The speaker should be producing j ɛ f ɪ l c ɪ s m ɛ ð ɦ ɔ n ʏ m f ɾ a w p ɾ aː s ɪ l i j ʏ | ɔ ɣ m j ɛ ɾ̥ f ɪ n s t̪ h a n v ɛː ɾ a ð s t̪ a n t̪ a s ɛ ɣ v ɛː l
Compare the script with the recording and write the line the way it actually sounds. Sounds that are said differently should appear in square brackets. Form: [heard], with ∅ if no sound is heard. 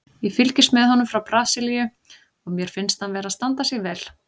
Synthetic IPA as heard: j ɛ f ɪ l c ɪ s m ɛ ð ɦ ɔ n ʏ m f ɾ a w p ɾ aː s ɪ l i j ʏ | ɔ ɣ m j ɛ ɾ̥ f ɪ n s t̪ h a n v ɛː ɾ a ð s t̪ a n t̪ a s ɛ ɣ v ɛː l